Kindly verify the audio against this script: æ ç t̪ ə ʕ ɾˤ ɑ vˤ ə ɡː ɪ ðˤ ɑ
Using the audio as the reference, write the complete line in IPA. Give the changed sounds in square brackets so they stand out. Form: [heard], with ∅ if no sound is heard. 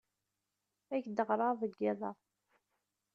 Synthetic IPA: æ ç [d̪] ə [ʁ] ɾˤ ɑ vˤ ə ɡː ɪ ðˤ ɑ